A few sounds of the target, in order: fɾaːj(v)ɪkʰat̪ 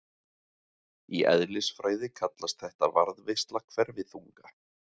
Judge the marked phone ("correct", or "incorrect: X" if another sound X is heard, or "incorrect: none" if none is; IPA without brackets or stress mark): incorrect: ð